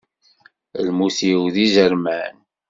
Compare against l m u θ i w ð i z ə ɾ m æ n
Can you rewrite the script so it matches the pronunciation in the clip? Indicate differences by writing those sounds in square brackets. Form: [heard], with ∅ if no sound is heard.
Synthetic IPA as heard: l m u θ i w ð i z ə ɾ m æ n

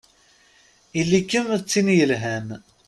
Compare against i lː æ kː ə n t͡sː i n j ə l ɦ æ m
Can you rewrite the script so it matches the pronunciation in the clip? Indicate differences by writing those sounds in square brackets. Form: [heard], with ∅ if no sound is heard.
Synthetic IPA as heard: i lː [i] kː ə [m] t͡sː i n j ə l ɦ æ m

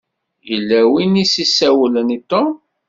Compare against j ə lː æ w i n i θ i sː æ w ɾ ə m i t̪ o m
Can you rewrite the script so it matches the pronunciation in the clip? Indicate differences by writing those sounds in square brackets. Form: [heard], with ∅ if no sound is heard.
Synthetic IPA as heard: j ə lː æ w i n i [s] i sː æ w [l] ə [n] i t̪ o m

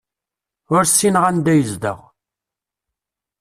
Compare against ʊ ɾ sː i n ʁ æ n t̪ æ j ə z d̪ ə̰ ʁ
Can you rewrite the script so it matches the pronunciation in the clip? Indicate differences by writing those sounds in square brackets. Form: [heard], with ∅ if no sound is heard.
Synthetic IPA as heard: ʊ ɾ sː i n ʁ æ n [d̪] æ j ə z d̪ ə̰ ʁ

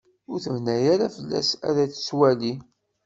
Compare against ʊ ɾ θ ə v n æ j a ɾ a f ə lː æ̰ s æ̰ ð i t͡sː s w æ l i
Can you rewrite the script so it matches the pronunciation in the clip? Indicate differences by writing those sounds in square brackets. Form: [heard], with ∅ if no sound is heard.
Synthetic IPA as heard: ʊ ɾ θ ə v n æ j a ɾ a f ə lː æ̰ s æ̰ ð [æ] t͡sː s w æ l i

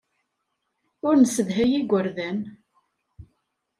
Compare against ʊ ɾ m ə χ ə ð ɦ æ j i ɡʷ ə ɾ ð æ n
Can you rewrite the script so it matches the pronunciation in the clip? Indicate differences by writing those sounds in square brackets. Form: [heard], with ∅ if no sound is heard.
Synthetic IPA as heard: ʊ ɾ [n] ə [s] ə ð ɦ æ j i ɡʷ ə ɾ ð æ n

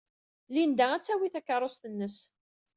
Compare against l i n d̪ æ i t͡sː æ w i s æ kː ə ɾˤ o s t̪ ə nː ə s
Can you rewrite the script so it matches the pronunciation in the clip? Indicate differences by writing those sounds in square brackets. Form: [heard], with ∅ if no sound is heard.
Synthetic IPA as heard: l i n d̪ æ [æ] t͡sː æ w i [θ] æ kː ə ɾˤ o s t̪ ə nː ə s

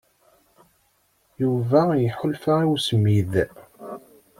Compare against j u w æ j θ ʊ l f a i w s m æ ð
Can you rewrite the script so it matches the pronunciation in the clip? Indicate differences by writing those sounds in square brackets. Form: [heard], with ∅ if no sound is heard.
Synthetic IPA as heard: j u [v] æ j [ħ] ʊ l f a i w s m [i] ð

